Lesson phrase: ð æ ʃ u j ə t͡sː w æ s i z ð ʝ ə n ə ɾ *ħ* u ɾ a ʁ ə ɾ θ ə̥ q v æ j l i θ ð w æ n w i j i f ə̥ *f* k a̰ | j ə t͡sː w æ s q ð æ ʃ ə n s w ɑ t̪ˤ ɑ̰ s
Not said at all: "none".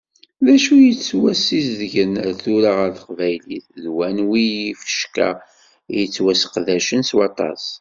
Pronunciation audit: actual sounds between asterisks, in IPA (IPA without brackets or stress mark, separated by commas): θ, ʃ